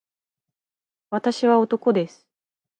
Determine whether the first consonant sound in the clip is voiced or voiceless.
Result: voiced